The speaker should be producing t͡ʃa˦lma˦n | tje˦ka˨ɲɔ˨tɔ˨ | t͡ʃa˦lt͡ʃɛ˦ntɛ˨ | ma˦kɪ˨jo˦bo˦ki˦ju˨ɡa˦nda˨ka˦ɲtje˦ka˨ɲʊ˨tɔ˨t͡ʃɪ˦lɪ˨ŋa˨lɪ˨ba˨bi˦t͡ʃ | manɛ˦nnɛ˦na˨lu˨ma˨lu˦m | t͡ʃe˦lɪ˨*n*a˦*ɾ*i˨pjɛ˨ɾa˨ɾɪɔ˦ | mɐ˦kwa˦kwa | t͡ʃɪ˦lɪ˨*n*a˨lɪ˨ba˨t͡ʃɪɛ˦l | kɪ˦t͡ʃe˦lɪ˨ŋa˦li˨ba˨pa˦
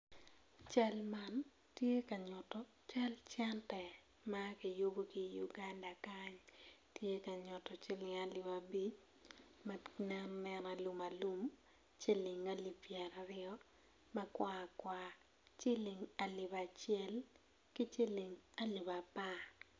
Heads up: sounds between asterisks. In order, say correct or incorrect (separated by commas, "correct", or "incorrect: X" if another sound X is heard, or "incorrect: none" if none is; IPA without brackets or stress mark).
incorrect: ŋ, incorrect: l, incorrect: ŋ